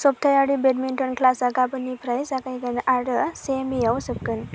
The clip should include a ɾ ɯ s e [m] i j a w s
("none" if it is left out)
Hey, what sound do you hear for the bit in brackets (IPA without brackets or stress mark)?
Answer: m